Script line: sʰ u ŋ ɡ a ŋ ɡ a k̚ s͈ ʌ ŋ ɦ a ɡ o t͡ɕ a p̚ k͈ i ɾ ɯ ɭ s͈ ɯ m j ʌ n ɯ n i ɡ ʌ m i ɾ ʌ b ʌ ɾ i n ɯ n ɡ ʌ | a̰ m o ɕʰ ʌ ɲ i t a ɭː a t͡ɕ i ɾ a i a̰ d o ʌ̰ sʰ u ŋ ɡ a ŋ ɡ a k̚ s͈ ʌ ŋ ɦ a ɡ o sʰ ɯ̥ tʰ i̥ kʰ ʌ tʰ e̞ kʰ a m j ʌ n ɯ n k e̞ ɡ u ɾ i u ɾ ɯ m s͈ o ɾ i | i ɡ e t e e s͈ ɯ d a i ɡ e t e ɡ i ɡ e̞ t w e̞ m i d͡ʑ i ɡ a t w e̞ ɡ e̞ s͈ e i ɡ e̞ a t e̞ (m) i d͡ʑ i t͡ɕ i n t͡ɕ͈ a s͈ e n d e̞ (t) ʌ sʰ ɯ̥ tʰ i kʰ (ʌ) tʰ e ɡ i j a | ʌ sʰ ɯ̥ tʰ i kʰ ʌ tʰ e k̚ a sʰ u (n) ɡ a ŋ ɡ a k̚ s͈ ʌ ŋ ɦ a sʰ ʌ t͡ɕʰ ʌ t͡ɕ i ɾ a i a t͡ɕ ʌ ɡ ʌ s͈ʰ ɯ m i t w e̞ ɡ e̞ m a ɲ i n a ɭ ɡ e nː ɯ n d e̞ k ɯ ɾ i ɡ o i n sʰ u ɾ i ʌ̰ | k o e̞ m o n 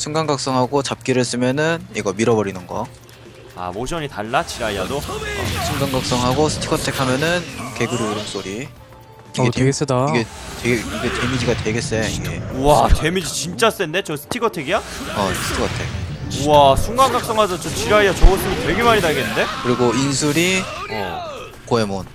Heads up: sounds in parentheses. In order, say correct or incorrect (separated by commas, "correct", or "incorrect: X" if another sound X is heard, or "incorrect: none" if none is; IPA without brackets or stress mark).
correct, incorrect: t͡ɕ, correct, incorrect: ŋ